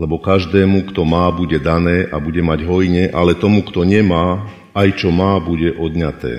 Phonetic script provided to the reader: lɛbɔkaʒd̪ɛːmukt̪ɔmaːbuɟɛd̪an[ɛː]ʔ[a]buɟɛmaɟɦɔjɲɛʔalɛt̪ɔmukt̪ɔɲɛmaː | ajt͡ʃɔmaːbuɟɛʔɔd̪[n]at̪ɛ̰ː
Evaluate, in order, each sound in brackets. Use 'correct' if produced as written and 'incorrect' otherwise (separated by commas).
correct, correct, incorrect